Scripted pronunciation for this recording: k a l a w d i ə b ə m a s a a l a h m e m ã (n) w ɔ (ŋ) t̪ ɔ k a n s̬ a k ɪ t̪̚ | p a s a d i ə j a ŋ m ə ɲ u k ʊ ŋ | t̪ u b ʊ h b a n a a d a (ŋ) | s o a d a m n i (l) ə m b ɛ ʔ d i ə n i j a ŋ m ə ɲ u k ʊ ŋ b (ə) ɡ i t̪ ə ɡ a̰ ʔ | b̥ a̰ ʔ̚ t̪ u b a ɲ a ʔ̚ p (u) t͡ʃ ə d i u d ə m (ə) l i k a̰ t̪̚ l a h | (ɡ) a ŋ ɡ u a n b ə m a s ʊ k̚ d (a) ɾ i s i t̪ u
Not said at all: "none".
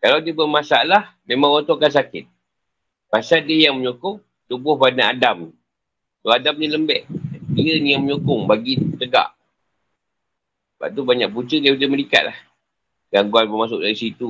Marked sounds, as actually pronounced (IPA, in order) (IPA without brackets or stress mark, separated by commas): ŋ, n, m, l, a, u, ə, ɡ, a